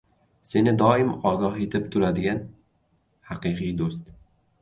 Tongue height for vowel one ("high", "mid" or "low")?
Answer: mid